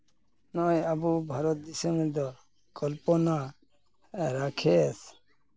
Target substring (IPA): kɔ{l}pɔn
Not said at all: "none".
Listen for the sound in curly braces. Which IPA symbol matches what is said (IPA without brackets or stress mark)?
l